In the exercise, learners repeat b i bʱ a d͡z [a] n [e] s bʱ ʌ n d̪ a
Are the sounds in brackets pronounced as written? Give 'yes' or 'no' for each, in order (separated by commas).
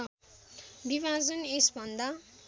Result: no, yes